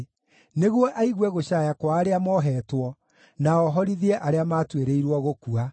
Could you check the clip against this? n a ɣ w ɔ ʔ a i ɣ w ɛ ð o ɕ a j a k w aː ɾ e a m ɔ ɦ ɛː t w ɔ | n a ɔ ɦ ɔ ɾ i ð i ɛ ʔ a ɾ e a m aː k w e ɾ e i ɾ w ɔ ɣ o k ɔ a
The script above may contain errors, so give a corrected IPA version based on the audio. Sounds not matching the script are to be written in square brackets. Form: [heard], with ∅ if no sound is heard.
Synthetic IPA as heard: n [e] ɣ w ɔ ʔ a i ɣ w ɛ [ɣ] o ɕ a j a k w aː ɾ e a m ɔ ɦ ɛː t w ɔ | n a ɔ ɦ ɔ ɾ i ð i ɛ ʔ a ɾ e a m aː [t] w e ɾ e i ɾ w ɔ ɣ o k [u] a